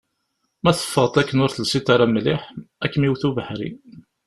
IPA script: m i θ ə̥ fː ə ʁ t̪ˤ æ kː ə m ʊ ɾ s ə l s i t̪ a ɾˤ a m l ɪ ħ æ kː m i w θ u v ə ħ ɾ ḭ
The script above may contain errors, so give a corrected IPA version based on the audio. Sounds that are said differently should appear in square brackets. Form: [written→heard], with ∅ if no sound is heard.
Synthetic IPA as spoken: m [i→æ] θ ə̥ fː ə ʁ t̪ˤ æ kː ə [m→n] ʊ ɾ [s→θ] ə l s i t̪ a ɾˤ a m l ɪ ħ æ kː m i w θ u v ə ħ ɾ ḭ